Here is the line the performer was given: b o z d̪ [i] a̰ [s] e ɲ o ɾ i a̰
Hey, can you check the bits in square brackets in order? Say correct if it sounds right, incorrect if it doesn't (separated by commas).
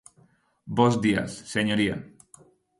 correct, incorrect